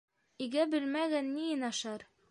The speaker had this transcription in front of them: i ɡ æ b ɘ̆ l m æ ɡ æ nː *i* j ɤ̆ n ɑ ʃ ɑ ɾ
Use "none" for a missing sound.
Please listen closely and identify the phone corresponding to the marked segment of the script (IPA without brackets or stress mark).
i